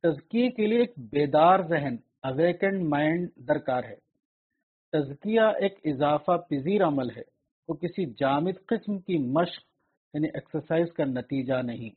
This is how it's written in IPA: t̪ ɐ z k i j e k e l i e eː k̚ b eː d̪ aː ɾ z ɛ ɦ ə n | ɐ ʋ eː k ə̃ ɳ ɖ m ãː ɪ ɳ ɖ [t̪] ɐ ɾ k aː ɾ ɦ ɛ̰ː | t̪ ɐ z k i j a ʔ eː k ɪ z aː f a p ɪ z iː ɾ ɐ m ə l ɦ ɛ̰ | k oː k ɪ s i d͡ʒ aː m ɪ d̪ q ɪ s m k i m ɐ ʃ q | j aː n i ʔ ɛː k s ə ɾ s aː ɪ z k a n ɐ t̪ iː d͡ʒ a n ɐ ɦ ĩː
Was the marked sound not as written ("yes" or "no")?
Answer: yes